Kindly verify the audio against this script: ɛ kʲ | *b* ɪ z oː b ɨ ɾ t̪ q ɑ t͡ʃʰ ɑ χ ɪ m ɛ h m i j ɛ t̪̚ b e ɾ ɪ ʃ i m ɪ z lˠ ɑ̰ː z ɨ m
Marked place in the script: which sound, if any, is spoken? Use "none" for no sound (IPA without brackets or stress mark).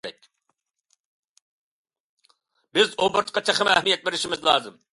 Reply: b